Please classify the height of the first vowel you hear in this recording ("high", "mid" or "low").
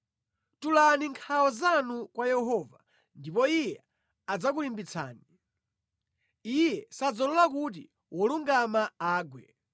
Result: high